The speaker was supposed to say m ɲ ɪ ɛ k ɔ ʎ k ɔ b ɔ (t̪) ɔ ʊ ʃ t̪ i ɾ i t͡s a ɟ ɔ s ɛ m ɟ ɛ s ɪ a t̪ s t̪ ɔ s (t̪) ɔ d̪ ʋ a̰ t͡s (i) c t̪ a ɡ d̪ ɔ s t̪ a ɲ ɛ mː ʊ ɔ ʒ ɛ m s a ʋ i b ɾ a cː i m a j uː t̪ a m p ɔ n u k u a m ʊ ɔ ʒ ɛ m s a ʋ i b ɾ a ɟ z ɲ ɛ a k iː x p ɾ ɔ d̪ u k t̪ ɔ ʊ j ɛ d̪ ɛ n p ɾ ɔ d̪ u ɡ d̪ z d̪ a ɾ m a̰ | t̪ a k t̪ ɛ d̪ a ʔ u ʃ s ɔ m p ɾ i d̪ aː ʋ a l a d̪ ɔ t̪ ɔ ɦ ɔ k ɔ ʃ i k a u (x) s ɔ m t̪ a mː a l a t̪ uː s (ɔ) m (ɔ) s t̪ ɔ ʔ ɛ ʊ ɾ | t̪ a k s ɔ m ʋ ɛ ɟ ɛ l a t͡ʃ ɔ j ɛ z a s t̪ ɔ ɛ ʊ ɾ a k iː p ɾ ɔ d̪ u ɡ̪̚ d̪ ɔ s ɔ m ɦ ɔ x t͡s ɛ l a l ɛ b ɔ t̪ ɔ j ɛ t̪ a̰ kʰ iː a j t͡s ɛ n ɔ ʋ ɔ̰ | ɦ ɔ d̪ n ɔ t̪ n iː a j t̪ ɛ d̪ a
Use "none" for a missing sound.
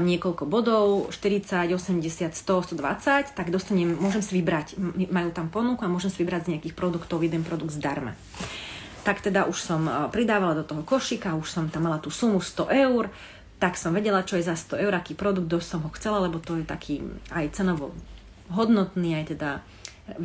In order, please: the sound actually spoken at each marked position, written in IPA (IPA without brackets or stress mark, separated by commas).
d̪, t̪, a, ʃ, u, u